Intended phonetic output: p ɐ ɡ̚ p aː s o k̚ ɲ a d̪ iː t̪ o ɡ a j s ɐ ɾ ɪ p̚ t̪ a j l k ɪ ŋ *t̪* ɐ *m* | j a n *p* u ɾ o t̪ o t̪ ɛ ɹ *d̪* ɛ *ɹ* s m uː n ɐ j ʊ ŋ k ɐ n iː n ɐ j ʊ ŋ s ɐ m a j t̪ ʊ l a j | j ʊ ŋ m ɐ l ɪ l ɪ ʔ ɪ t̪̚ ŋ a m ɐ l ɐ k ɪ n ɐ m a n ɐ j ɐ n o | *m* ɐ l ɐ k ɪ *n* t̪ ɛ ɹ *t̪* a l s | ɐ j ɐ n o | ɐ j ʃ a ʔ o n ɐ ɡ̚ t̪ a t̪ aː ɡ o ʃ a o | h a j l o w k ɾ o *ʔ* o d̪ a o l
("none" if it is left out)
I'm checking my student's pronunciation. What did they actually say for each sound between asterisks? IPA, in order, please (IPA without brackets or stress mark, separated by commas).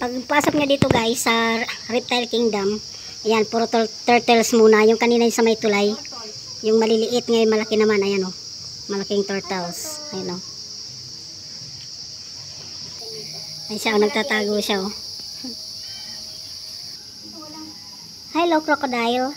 d̪, m, p, t̪, l, m, ŋ, t̪, k